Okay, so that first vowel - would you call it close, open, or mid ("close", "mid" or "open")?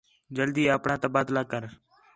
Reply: mid